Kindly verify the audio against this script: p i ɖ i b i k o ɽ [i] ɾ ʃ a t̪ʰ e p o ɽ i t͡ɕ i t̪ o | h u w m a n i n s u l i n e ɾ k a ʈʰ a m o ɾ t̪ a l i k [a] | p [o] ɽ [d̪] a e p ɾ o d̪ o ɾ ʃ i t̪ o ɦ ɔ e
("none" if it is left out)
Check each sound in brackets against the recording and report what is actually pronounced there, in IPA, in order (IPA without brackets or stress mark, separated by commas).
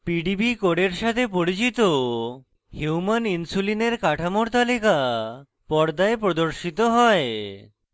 e, a, ɔ, d̪